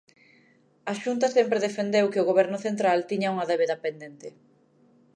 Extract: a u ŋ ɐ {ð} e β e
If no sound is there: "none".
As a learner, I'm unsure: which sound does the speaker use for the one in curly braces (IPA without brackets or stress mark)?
ð